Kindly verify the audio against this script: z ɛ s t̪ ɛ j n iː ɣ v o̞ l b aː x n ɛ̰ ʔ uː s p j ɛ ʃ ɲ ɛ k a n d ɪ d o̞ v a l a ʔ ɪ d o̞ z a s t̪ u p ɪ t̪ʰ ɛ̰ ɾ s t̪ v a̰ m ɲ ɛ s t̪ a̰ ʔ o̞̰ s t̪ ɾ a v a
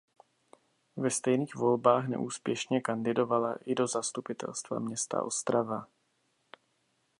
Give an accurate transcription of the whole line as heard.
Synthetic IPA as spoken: v ɛ s t̪ ɛ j n iː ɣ v o̞ l b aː x n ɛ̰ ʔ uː s p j ɛ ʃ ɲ ɛ k a n d ɪ d o̞ v a l a ʔ ɪ d o̞ z a s t̪ u p ɪ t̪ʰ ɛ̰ l s t̪ v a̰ m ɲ ɛ s t̪ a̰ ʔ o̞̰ s t̪ ɾ a v a